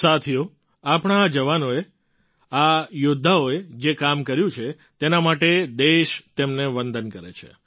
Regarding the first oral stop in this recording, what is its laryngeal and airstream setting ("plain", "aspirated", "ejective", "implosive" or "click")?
aspirated